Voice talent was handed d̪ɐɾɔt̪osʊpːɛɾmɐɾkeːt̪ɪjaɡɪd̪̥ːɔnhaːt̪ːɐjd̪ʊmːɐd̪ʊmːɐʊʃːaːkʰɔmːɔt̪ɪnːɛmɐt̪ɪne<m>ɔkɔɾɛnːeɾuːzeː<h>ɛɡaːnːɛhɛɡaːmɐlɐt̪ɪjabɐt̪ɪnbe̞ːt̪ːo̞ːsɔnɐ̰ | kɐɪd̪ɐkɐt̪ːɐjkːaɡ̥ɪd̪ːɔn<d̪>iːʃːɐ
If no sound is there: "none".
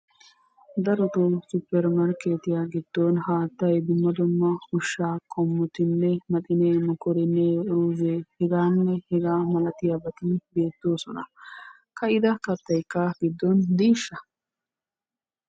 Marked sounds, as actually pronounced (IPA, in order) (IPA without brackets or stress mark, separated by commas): m, h, d̪